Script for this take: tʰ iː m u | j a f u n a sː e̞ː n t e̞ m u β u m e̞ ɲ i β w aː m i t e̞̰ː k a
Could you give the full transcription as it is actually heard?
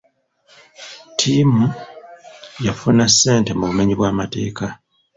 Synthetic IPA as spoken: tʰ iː m u | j a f u n a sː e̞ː n t e̞ m u β u m e̞ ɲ i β w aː m a t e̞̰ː k a